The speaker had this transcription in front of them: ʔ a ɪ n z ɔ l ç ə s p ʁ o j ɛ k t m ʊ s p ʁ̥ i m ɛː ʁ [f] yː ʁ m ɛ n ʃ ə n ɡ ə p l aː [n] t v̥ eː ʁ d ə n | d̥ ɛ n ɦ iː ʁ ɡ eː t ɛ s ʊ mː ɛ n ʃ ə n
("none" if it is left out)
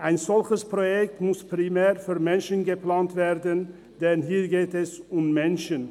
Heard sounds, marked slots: f, n

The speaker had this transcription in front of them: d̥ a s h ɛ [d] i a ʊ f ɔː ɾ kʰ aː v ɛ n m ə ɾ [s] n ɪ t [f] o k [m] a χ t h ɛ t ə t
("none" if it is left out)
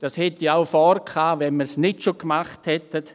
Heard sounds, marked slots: t, s, ʃ, m

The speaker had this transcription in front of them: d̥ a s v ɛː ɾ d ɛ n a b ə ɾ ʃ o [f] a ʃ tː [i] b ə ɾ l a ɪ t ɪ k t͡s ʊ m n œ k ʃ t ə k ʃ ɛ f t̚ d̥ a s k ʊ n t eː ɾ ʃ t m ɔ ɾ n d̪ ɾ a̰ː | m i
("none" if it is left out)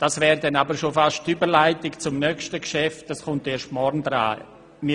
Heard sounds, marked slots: f, y

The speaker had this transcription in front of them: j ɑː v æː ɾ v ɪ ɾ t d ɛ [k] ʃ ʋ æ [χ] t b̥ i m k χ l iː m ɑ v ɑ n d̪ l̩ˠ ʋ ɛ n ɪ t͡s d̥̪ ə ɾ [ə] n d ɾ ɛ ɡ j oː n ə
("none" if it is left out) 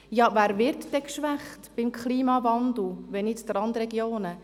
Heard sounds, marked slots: k, χ, ɑ

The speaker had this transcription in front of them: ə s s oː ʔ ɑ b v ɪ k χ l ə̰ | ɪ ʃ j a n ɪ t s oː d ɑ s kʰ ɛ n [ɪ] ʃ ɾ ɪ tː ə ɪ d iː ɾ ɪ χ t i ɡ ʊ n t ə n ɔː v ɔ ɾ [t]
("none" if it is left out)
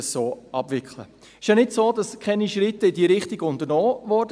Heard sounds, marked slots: i, d

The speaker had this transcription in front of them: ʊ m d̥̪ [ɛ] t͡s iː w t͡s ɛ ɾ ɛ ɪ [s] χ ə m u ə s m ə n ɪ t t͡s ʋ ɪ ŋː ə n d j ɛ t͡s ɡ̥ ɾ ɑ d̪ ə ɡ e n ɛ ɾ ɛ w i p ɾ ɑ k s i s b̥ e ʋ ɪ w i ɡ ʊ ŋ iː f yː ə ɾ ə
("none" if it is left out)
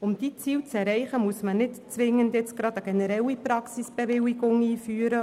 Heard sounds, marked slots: i, none

